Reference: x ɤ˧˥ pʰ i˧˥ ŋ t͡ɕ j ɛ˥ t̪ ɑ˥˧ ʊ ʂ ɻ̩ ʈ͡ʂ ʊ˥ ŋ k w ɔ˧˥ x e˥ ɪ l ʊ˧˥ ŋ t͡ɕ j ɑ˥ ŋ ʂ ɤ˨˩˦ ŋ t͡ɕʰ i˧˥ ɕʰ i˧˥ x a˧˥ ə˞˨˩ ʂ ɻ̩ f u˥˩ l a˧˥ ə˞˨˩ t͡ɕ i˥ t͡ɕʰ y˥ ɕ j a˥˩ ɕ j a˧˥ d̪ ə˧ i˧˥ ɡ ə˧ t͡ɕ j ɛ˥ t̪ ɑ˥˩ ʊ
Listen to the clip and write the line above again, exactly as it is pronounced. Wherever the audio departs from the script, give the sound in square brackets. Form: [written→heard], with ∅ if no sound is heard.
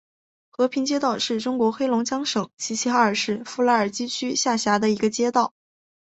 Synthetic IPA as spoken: x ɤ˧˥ pʰ i˧˥ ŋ t͡ɕ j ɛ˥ t̪ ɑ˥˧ ʊ ʂ ɻ̩ ʈ͡ʂ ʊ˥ ŋ k w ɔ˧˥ x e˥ ɪ l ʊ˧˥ ŋ t͡ɕ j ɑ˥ ŋ ʂ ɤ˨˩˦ ŋ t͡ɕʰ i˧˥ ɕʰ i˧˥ x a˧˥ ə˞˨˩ ʂ ɻ̩ f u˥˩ l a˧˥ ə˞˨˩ t͡ɕ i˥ t͡ɕʰ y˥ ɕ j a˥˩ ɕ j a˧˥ d̪ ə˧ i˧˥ ɡ ə˧ t͡ɕ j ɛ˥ t̪ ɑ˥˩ ʊ